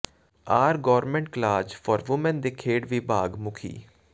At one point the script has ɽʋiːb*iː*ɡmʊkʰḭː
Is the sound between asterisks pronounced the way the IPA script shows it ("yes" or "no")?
no